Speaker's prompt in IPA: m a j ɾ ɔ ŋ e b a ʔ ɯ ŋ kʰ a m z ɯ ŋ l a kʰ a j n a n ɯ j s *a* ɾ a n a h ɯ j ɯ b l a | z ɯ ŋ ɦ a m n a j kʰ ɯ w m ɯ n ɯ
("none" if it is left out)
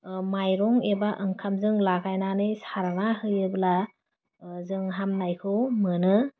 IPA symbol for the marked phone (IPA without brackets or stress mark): a